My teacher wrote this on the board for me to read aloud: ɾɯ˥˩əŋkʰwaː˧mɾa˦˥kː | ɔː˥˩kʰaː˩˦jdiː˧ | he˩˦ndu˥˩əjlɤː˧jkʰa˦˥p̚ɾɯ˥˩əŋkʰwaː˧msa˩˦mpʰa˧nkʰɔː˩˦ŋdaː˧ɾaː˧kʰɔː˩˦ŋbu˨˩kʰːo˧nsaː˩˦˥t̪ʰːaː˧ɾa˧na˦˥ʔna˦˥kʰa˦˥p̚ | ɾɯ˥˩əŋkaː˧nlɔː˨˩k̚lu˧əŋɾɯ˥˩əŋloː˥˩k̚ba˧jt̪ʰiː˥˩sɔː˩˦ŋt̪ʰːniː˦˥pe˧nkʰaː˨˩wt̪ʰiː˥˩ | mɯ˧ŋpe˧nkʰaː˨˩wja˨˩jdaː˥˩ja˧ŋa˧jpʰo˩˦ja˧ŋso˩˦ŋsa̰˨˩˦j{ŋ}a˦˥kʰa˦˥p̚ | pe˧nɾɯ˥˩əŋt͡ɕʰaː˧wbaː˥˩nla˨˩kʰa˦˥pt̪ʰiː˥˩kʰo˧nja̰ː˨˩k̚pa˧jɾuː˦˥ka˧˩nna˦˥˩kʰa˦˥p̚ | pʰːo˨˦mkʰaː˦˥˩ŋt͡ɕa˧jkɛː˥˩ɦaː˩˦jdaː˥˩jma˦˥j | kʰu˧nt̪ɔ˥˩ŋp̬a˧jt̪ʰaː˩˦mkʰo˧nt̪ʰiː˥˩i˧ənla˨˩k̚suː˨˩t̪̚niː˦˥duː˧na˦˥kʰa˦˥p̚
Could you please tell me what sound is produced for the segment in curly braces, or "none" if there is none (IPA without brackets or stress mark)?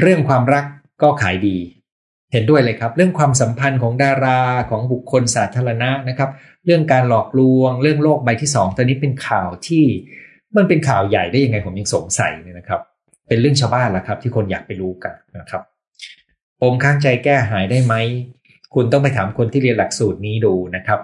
n